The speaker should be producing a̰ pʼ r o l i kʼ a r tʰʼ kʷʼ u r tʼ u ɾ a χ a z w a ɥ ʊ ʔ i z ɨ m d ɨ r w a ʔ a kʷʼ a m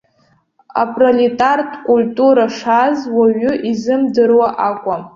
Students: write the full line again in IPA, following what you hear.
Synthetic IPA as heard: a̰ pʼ r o l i tʼ a r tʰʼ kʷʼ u l tʼ u ɾ a ʂ a z w a ɥ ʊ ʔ i z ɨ m d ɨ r w a ʔ a kʷʼ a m